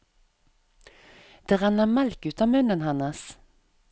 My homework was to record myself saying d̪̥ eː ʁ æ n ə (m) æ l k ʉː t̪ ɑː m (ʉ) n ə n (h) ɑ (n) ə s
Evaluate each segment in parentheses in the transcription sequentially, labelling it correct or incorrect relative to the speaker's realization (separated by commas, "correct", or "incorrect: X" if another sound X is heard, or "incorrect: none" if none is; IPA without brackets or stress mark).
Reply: correct, correct, correct, correct